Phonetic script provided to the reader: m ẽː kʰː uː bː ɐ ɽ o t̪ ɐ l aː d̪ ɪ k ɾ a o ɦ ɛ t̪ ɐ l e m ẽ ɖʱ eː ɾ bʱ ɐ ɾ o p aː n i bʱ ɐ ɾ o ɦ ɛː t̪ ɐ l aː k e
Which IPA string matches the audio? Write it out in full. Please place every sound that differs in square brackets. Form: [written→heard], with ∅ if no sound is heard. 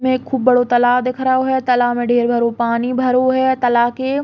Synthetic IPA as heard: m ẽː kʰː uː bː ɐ ɽ o t̪ ɐ l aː d̪ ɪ [k→kʰ] ɾ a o ɦ ɛ t̪ ɐ l [e→a] m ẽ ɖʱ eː ɾ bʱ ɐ ɾ o p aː n i bʱ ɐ ɾ o ɦ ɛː t̪ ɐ l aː k e